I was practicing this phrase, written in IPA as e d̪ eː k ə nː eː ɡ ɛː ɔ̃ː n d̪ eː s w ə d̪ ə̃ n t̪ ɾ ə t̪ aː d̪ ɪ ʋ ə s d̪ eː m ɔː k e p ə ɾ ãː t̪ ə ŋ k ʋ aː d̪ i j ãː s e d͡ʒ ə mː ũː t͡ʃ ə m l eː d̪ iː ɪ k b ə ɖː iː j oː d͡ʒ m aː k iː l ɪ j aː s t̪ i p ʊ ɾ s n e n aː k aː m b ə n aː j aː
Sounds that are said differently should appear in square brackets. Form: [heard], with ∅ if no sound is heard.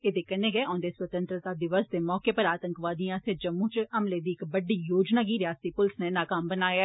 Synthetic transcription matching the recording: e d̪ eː k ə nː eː ɡ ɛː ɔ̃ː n d̪ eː s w ə [t̪] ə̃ n t̪ ɾ ə t̪ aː d̪ ɪ ʋ ə s d̪ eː m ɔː k e p ə ɾ [aː] t̪ ə ŋ k ʋ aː d̪ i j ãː s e d͡ʒ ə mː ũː t͡ʃ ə m l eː d̪ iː ɪ k b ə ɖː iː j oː d͡ʒ [n] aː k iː [ɾ] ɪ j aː s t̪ i p ʊ [l] s n e n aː k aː m b ə n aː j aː